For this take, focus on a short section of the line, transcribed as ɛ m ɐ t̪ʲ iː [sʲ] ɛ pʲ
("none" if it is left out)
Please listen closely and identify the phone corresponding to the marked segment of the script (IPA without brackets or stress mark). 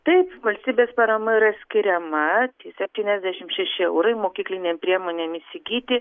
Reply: sʲ